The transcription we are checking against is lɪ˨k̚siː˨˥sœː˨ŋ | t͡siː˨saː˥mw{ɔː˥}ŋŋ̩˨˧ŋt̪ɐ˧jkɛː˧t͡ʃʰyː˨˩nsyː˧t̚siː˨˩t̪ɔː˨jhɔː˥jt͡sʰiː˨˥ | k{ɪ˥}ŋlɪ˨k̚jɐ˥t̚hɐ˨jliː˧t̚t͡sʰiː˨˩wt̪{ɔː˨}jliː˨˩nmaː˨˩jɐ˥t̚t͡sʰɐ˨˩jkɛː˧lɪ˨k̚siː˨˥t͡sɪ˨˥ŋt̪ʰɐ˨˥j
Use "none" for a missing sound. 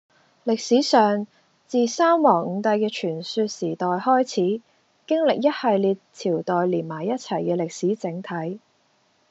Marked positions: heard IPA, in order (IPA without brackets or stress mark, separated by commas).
ɔː˨˩, ɪ˥, ɔː˨